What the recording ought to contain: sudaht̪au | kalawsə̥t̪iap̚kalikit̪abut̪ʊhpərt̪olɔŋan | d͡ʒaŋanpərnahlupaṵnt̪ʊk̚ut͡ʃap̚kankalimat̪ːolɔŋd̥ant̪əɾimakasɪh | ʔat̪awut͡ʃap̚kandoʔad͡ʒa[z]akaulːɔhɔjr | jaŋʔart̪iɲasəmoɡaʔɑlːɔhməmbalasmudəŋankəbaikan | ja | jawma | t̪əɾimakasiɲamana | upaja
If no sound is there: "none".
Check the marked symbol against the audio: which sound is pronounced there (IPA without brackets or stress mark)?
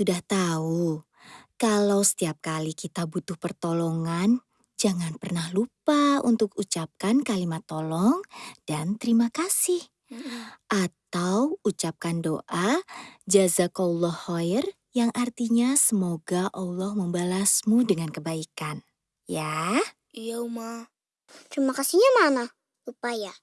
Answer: z